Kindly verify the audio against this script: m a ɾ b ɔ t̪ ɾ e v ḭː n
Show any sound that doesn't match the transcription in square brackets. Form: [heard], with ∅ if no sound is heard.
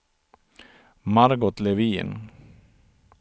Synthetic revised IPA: m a ɾ [ɡ] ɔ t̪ [l] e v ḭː n